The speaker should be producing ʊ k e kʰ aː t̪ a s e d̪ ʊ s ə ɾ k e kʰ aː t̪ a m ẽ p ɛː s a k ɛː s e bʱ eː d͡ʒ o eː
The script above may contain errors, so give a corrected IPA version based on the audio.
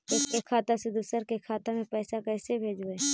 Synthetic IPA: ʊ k e kʰ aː t̪ a s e d̪ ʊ s ə ɾ k e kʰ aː t̪ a m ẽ p ɛː s a k ɛː s e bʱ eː d͡ʒ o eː

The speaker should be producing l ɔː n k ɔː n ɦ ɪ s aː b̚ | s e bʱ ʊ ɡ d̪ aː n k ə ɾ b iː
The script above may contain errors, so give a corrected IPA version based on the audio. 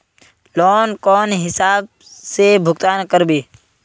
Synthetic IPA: l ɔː n k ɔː n ɦ ɪ s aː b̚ | s e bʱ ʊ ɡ t̪ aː n k ə ɾ b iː

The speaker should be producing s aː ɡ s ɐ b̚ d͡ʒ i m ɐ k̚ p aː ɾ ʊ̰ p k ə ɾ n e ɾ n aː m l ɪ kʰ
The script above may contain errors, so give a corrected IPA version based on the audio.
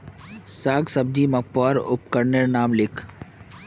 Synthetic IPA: s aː ɡ s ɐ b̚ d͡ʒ i m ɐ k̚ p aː ɾ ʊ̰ p k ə ɾ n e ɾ n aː m l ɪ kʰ

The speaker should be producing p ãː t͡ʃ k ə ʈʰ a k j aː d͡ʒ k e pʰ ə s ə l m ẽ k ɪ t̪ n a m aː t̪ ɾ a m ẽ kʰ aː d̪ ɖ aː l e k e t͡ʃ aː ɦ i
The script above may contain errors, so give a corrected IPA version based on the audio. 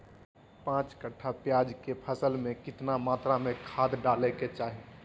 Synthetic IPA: p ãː t͡ʃ k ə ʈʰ a p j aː d͡ʒ k e pʰ ə s ə l m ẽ k ɪ t̪ n a m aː t̪ ɾ a m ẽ kʰ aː d̪ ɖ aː l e k e t͡ʃ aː ɦ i

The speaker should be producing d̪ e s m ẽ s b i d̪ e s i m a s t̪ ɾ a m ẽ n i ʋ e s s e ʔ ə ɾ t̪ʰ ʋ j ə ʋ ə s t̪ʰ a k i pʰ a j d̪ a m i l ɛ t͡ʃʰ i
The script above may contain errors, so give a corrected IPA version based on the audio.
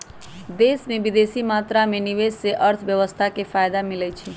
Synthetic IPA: d̪ e s m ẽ b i d̪ e s i m a t̪ ɾ a m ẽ n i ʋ e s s e ʔ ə ɾ t̪ʰ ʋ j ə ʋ ə s t̪ʰ a k e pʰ a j d̪ a m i l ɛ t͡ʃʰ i

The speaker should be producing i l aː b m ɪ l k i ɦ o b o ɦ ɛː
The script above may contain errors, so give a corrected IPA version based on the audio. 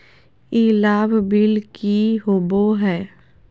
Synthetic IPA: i l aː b b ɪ l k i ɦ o b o ɦ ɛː

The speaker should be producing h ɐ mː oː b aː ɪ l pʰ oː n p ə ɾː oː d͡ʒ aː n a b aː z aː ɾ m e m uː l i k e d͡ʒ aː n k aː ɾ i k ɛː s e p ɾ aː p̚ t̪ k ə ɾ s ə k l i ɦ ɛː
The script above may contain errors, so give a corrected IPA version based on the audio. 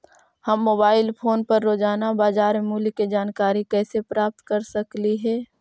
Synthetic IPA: h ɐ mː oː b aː ɪ l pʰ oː n p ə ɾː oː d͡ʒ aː n a b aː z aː ɾ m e m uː l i k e d͡ʒ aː n k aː ɾ i k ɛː s e p ɾ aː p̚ t̪ k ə ɾ s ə k l i ɦ ɛː

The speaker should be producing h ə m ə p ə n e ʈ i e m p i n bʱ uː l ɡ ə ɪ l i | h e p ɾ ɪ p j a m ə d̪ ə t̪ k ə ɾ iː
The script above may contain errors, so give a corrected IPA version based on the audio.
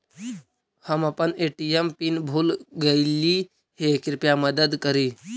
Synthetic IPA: h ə m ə p ə n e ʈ i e m p i n bʱ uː l ɡ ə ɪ l i | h e k ɾ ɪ p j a m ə d̪ ə d̪ k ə ɾ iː

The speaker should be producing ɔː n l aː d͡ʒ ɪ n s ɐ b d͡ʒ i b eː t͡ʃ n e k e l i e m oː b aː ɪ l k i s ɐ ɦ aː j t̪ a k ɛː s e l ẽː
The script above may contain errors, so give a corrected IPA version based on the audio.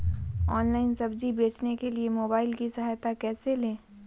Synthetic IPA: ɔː n l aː ɪ n s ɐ b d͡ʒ i b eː t͡ʃ n e k e l i e m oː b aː ɪ l k i s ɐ ɦ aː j t̪ a k ɛː s e l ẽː

